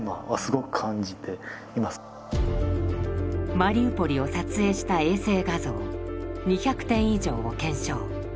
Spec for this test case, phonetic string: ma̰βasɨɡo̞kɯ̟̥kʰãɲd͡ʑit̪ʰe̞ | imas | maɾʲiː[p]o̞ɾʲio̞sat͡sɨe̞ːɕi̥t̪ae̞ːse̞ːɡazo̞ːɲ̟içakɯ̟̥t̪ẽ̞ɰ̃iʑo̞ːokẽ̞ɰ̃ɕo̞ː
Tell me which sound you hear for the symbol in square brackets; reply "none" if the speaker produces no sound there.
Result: p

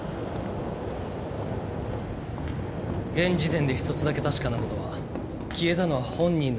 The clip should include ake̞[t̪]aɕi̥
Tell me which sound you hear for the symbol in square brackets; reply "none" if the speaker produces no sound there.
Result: t̪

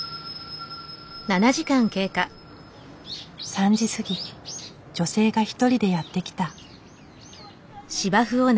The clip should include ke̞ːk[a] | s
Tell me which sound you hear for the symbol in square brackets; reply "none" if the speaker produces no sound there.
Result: a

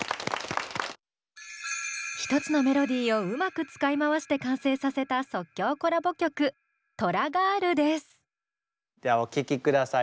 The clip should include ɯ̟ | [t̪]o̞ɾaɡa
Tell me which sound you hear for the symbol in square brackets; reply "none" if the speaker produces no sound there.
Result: t̪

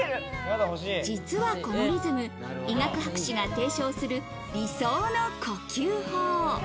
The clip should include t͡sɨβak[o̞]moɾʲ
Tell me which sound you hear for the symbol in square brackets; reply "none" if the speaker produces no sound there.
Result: o̞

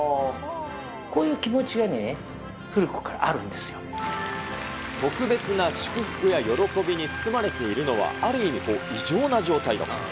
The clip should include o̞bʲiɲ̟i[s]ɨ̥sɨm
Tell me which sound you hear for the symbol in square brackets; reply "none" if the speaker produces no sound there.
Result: t͡s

